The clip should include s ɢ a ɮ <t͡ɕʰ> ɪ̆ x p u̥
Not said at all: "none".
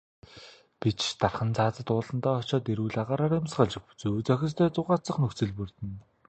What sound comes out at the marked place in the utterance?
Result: t͡ɕ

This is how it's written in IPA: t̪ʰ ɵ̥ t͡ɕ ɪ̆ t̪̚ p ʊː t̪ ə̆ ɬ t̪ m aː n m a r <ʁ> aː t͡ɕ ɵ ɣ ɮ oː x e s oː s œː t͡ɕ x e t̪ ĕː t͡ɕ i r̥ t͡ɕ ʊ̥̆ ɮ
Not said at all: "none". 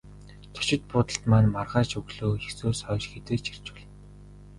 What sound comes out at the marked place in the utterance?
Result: ʁ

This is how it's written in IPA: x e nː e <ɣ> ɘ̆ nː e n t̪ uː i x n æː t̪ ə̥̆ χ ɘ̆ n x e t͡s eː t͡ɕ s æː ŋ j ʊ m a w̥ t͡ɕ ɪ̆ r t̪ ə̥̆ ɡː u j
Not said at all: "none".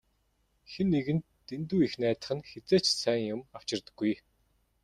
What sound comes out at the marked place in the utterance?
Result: ɣ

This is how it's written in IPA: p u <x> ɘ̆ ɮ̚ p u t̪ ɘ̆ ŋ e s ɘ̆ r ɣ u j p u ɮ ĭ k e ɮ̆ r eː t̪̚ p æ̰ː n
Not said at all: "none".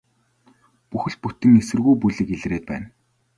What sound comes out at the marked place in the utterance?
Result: x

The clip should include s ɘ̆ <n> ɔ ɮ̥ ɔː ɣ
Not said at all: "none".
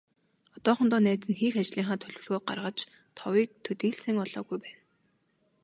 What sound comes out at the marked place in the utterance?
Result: ŋ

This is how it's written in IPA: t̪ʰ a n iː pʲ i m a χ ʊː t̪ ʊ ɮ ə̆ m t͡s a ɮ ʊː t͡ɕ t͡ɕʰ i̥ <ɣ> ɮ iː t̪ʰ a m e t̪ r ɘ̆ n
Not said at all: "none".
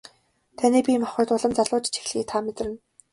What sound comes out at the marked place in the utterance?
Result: x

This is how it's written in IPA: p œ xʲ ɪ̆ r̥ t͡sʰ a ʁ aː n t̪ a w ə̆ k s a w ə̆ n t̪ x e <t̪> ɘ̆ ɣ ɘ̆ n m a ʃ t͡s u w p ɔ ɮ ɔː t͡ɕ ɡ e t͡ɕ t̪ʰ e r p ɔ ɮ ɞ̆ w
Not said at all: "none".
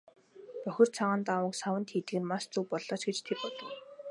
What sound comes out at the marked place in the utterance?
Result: t̪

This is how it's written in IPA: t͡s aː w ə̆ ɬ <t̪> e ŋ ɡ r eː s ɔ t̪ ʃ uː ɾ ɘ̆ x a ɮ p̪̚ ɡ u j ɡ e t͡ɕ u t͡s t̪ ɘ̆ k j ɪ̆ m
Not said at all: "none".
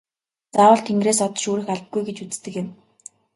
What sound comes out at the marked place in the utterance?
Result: t̪ʰ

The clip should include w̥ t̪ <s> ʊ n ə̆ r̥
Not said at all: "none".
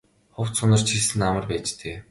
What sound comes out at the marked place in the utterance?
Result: s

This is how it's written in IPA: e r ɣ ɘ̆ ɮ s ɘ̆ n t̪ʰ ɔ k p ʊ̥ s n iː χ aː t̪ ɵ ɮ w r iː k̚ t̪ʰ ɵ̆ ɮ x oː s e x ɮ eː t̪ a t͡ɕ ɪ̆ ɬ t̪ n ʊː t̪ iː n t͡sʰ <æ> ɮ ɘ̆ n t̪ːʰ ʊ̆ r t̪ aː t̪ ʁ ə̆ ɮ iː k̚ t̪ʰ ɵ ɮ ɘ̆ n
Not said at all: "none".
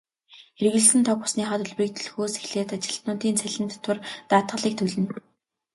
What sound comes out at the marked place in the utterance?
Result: æ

